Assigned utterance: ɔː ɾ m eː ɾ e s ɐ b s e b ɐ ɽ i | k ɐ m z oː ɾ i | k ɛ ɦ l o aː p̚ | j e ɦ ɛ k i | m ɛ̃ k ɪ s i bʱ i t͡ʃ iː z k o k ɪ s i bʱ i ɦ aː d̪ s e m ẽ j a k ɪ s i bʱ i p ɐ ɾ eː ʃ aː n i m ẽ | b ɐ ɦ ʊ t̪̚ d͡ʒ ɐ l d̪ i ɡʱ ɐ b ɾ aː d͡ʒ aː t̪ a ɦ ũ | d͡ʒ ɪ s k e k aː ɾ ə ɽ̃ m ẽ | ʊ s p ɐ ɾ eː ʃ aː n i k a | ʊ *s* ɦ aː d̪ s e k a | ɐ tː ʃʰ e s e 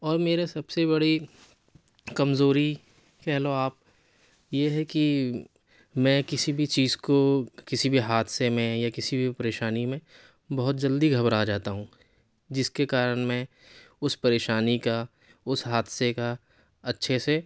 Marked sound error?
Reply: no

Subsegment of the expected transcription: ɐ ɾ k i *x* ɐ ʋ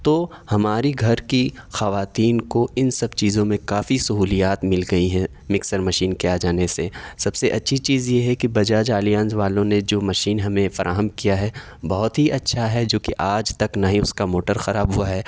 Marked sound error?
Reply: no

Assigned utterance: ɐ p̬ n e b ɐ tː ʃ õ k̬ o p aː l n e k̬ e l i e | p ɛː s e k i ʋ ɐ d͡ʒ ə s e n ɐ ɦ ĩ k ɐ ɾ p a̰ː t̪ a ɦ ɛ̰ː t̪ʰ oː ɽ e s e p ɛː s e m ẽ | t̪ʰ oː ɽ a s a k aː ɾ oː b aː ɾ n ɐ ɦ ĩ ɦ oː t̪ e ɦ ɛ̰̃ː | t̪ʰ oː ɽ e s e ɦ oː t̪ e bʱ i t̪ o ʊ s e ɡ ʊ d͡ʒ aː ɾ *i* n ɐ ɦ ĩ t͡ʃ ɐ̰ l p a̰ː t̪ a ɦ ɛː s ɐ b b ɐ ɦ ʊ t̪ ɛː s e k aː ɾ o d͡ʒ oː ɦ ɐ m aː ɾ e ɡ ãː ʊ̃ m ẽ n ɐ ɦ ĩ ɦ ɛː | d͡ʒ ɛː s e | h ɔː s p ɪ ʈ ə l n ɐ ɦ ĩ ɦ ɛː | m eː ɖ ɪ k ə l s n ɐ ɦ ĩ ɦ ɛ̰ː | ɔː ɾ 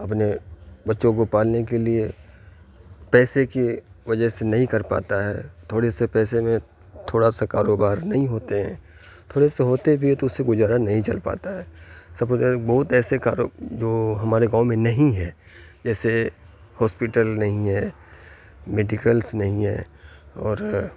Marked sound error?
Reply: yes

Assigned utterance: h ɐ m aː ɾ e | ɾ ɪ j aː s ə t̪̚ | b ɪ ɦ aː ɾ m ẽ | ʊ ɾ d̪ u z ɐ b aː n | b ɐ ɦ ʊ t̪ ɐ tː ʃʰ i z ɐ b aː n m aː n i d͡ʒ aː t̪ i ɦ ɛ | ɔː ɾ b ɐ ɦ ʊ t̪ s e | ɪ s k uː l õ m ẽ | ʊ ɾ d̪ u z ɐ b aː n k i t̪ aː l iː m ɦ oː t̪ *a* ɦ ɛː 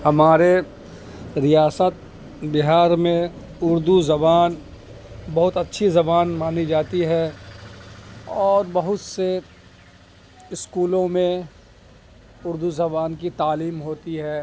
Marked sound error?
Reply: yes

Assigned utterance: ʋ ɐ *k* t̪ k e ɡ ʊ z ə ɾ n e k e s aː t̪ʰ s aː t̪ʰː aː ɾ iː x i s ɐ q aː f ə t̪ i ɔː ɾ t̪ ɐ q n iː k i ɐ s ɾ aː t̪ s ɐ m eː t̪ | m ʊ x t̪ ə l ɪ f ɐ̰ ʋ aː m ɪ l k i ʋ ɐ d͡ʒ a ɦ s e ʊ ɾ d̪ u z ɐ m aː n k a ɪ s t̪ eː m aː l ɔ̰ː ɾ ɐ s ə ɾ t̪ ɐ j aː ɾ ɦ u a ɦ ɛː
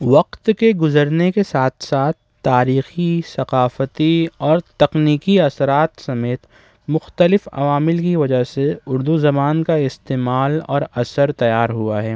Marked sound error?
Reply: yes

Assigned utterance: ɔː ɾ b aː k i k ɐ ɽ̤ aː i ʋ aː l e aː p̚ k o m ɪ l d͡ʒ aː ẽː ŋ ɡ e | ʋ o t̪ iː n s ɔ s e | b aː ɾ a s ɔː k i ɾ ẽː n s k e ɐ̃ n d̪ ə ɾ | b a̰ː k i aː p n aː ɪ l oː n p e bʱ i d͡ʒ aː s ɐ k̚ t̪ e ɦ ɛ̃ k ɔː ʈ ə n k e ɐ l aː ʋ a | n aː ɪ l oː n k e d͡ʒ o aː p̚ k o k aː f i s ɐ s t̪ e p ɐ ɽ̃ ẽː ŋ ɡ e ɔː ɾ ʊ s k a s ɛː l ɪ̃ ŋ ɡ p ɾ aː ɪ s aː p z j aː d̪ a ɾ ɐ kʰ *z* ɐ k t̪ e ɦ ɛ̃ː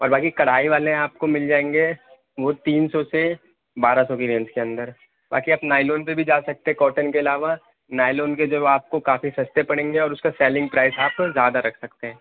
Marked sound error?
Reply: yes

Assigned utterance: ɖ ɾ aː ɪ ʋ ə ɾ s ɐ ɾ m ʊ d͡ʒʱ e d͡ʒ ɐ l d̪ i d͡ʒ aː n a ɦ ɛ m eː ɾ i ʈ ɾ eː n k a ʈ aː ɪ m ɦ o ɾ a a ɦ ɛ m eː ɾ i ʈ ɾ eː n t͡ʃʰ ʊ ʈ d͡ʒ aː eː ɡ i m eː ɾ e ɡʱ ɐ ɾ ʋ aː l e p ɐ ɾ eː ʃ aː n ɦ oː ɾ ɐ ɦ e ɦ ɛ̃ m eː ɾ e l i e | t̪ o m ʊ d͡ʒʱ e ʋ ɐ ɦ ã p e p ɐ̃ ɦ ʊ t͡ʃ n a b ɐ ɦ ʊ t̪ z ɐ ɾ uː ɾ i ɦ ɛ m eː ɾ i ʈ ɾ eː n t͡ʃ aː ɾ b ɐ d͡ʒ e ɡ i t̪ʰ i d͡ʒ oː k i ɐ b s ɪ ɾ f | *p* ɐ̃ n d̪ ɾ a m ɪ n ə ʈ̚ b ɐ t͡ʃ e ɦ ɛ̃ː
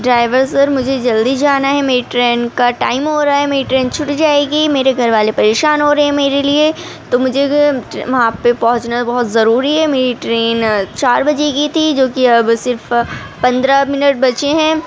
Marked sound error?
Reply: no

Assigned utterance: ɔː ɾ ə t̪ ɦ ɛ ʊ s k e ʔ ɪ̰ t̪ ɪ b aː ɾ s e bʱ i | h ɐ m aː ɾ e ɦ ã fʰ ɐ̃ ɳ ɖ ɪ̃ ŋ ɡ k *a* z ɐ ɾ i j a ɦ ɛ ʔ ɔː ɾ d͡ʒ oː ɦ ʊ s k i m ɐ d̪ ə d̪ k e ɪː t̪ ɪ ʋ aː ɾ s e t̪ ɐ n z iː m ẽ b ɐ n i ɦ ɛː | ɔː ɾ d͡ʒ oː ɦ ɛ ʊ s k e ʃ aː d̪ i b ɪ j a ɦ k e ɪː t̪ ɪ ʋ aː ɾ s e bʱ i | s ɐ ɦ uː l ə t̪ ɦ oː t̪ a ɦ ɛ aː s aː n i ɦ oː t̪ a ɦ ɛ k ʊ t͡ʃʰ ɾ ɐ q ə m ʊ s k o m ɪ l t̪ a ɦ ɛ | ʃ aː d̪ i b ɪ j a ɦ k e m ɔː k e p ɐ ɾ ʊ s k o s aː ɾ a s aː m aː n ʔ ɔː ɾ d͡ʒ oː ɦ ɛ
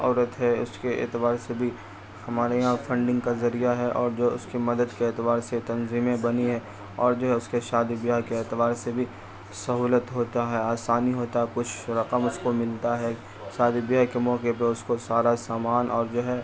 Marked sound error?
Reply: no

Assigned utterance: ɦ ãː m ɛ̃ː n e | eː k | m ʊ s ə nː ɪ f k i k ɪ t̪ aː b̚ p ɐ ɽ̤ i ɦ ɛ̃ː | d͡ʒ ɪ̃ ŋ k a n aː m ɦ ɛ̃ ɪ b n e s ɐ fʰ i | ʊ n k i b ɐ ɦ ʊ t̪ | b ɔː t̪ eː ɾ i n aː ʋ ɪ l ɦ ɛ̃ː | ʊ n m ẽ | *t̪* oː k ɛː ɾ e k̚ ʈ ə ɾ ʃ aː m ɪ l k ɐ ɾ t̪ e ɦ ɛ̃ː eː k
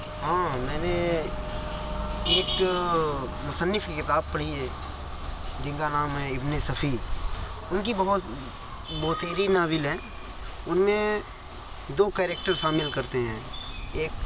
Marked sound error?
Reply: yes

